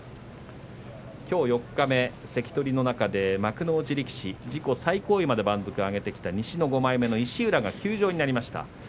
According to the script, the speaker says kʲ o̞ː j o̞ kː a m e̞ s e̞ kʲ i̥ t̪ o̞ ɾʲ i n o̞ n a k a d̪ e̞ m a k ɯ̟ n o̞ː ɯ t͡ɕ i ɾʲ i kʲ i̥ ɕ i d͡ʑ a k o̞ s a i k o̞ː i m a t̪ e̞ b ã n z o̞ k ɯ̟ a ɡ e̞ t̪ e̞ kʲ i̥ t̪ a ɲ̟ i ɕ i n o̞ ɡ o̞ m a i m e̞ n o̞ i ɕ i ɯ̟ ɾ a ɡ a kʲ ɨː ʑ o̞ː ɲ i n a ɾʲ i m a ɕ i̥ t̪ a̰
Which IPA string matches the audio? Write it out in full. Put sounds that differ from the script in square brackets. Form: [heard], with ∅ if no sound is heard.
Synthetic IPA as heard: kʲ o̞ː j o̞ kː a m e̞ s e̞ kʲ i̥ t̪ o̞ ɾʲ i n o̞ n a k a d̪ e̞ m a k ɯ̟ n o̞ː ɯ t͡ɕ i ɾʲ i kʲ i̥ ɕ i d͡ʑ [i] k o̞ s a i k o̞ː i m a [d̪] e̞ b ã n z o̞ k ɯ̟ a ɡ e̞ t̪ e̞ kʲ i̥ t̪ a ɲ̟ i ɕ i n o̞ ɡ o̞ m a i m e̞ n o̞ i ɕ i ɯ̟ ɾ a ɡ a kʲ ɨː ʑ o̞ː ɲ i n a ɾʲ i m a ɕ i̥ t̪ a̰